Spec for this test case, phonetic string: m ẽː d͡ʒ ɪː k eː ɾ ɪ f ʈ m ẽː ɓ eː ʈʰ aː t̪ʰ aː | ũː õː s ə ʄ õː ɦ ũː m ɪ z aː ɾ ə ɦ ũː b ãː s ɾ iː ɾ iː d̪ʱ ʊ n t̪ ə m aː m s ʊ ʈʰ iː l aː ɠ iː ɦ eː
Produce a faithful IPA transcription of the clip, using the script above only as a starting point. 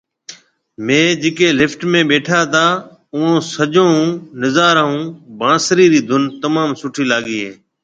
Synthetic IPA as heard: m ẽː d͡ʒ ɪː k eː l ɪ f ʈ m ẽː ɓ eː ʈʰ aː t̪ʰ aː | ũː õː s ə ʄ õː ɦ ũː n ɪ z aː ɾ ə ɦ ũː b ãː s ɾ iː ɾ iː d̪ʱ ʊ n t̪ ə m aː m s ʊ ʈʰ iː l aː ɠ iː ɦ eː